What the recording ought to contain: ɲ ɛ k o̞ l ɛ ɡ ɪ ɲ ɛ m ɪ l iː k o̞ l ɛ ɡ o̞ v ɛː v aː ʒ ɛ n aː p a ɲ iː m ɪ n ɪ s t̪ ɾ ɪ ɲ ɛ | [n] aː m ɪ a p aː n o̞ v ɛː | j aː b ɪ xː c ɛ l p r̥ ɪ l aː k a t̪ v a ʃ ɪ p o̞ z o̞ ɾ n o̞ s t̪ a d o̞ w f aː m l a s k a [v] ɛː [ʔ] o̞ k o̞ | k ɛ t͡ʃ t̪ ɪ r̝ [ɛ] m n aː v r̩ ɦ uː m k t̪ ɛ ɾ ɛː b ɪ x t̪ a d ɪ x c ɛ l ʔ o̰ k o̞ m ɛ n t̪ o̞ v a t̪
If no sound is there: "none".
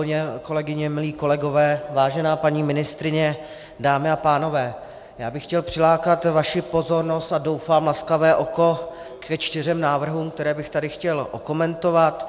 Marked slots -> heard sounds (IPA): d, v, ʔ, ɛ

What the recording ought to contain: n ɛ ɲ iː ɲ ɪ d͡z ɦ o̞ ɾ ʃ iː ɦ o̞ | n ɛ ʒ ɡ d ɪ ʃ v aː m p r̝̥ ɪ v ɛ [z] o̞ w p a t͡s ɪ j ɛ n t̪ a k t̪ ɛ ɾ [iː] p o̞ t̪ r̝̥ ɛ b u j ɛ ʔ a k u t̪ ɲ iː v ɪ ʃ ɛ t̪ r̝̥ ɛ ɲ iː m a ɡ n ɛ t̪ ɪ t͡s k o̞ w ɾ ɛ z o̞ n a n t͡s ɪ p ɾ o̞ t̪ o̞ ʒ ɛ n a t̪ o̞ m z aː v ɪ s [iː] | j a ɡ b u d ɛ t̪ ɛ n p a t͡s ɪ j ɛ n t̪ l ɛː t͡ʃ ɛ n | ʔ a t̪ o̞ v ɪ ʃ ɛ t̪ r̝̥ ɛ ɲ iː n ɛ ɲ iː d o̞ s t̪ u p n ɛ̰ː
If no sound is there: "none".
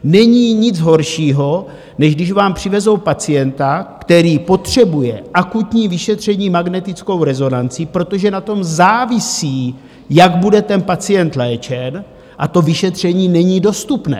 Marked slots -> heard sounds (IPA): z, iː, iː

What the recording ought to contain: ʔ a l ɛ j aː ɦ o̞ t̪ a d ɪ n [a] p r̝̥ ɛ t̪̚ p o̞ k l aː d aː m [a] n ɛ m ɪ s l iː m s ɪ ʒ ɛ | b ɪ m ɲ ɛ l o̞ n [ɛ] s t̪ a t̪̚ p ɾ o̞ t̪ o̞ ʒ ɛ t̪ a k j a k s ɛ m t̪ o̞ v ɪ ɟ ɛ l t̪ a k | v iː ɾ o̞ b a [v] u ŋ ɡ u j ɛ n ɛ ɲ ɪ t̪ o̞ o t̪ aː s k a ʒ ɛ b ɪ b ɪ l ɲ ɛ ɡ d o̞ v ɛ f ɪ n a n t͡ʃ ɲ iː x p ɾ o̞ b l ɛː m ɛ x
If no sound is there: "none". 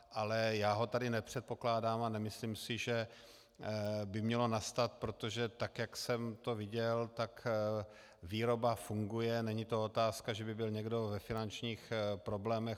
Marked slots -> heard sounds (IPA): ɛ, a, a, f

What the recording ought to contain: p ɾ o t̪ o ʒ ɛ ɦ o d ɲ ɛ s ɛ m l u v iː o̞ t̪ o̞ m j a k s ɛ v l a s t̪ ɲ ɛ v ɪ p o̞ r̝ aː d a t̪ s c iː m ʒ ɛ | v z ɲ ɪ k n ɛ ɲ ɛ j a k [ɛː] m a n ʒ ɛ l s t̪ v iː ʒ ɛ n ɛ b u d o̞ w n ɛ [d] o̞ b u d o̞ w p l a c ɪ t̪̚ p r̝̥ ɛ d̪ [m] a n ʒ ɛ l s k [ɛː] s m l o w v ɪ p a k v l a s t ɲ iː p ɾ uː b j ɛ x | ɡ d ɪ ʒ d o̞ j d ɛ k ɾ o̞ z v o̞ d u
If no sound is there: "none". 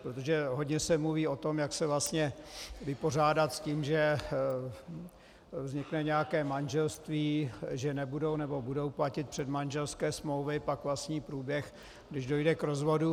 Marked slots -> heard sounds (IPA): ɛː, b, m, ɛː

